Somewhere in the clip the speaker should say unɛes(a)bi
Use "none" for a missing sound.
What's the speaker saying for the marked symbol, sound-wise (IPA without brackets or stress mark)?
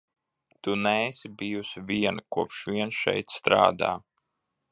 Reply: i